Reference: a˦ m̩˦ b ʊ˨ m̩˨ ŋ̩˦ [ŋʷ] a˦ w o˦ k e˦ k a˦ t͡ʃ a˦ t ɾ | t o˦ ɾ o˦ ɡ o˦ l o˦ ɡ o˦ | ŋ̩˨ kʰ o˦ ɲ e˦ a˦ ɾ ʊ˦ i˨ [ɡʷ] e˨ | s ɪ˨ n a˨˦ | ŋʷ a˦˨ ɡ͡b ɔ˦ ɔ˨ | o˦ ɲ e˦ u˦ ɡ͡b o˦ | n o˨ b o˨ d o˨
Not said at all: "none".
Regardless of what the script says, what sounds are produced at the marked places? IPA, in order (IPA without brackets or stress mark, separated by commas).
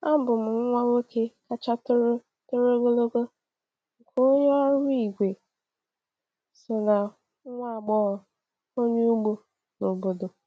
ŋʷ, ɡʷ